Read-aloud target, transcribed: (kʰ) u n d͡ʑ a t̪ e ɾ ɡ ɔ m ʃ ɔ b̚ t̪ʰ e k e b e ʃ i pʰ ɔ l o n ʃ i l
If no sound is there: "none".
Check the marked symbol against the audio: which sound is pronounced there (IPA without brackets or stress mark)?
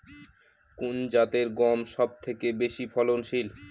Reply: k